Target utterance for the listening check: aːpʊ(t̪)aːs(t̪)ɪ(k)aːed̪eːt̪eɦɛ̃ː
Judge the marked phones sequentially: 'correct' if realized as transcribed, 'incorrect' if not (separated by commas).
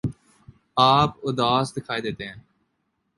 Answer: incorrect, incorrect, incorrect